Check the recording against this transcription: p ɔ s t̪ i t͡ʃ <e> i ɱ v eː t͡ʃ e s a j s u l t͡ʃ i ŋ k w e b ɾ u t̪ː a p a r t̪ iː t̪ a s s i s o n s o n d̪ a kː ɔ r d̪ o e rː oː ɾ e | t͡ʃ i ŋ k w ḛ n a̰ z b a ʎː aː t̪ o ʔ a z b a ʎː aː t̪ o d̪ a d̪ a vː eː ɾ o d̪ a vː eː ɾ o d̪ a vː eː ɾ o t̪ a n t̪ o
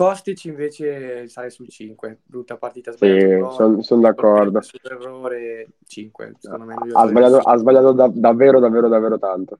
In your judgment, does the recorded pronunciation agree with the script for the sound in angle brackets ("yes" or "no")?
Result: no